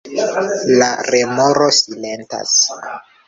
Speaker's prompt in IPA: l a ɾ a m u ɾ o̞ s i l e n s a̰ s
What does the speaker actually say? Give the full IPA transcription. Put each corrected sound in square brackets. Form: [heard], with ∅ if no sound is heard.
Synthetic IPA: l a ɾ [e] m [o] ɾ o̞ s i l e n [t] a̰ s